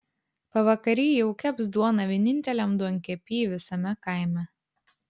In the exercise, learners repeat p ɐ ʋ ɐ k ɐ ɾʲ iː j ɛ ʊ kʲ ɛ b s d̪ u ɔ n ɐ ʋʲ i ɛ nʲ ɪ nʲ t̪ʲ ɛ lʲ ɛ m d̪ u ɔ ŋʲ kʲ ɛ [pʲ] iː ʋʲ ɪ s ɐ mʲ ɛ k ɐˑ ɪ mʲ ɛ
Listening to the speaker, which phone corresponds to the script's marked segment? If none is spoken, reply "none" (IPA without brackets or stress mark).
pʲ